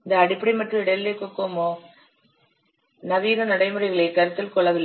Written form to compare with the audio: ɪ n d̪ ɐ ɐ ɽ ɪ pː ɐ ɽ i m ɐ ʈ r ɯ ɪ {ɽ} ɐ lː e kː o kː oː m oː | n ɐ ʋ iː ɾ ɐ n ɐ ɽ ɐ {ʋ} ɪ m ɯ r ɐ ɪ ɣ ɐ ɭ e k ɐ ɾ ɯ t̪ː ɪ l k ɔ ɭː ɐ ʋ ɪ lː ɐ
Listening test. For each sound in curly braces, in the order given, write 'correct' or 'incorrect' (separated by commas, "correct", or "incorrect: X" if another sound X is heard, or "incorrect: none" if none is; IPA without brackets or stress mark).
correct, incorrect: none